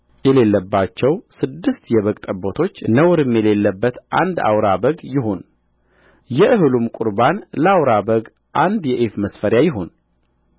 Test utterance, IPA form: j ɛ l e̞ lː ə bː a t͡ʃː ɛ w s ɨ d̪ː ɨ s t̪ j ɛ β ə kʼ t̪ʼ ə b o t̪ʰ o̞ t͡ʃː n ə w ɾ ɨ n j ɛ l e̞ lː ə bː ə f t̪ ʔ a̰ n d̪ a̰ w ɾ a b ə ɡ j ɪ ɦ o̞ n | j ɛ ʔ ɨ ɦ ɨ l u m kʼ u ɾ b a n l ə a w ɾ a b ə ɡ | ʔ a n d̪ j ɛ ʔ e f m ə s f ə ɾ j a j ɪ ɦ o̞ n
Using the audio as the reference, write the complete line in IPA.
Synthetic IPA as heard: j ɛ l e̞ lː ə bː a t͡ʃː ɛ w s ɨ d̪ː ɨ s t̪ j ɛ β ə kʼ t̪ʼ ə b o t̪ʰ o̞ t͡ʃː n ə w ɾ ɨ m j ɛ l e̞ lː ə bː ə t̪ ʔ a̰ n d̪ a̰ w ɾ a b ə ɡ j ɪ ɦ o̞ n | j ɛ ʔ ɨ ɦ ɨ l u m kʼ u ɾ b a n l ə a w ɾ a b ə ɡ | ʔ a n d̪ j ɛ ʔ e f m ə s f ə ɾ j a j ɪ ɦ o̞ n